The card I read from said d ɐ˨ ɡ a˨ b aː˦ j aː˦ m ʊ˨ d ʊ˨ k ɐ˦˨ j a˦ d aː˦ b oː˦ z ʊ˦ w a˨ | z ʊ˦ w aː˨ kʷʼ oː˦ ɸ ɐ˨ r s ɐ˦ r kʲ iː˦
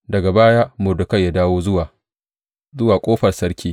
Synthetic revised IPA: d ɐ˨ ɡ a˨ b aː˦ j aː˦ m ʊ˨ d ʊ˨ k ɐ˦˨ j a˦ d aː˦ w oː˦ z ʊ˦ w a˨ | z ʊ˦ w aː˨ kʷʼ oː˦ ɸ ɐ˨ r s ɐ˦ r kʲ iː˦